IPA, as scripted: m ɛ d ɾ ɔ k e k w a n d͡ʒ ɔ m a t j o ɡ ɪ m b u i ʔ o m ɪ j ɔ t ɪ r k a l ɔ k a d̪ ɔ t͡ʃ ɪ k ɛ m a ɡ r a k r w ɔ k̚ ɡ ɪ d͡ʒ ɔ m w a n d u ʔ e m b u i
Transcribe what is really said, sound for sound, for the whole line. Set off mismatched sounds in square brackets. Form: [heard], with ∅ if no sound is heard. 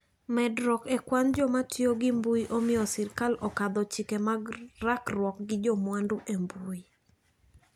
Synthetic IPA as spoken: m ɛ d ɾ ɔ k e k w a n d͡ʒ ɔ m a t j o ɡ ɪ m b u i ʔ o m ɪ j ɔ [s] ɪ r k a l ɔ k a d̪ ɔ t͡ʃ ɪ k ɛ m a ɡ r a k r w ɔ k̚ ɡ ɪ d͡ʒ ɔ m w a n d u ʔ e m b u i